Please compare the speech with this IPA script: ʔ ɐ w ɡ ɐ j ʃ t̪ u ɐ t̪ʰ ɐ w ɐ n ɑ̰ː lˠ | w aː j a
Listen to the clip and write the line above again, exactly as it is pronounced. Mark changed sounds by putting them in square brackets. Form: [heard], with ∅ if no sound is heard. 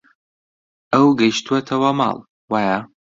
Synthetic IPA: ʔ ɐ w ɡ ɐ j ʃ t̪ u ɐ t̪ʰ ɐ w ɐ [m] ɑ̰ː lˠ | w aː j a